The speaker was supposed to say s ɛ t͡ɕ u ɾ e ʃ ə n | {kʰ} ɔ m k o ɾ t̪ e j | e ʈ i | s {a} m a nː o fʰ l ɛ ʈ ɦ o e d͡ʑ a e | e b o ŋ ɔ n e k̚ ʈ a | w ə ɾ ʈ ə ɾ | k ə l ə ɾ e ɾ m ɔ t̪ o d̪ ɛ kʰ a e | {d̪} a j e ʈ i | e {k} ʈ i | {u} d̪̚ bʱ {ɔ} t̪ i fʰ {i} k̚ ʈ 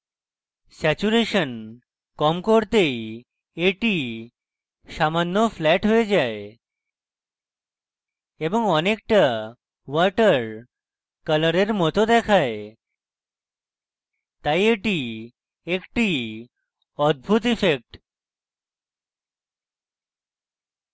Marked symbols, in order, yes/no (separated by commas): no, yes, no, yes, no, no, no